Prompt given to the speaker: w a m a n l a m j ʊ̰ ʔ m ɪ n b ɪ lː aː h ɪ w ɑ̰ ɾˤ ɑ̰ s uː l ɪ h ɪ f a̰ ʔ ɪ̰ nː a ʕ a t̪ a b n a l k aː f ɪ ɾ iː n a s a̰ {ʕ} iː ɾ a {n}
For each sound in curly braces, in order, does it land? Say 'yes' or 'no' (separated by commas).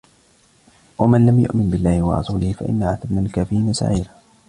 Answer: yes, no